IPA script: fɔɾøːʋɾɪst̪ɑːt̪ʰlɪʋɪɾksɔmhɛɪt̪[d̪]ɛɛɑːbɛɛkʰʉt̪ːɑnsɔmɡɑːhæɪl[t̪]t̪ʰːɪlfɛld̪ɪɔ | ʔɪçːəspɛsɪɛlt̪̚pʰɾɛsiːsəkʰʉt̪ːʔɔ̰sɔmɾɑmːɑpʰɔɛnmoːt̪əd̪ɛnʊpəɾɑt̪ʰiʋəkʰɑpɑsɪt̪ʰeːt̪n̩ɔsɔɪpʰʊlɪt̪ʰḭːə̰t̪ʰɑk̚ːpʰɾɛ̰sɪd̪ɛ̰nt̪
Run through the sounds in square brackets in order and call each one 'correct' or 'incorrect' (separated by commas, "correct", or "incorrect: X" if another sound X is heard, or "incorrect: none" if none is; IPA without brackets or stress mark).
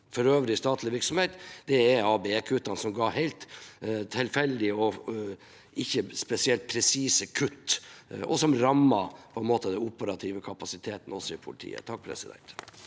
correct, correct